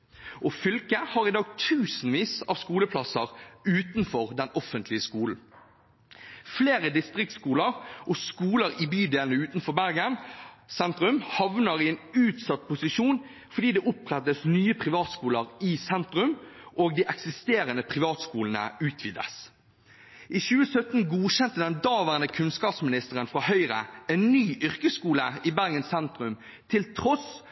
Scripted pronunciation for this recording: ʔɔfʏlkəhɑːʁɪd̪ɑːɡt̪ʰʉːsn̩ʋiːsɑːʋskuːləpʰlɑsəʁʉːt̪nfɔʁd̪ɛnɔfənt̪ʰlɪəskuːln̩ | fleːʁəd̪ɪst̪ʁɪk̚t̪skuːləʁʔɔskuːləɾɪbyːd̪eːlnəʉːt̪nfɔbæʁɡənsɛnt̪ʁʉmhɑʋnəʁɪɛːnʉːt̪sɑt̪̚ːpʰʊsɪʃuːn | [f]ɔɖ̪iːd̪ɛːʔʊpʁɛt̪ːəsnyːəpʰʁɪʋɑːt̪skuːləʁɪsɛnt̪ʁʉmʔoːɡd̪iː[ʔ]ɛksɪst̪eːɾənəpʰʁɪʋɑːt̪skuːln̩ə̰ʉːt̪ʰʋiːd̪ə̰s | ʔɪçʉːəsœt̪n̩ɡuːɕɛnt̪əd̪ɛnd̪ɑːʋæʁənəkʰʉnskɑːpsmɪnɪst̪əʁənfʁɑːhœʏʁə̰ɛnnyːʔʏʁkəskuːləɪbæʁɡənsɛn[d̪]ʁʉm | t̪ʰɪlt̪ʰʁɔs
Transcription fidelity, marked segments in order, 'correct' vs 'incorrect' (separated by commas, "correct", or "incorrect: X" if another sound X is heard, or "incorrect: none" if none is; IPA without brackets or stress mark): correct, correct, incorrect: t̪